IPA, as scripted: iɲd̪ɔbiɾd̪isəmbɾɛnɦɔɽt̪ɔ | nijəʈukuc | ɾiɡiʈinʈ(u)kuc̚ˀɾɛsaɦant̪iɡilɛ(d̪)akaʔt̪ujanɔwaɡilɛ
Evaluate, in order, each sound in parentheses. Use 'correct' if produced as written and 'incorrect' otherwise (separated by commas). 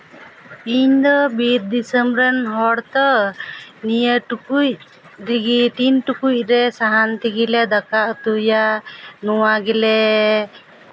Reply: correct, correct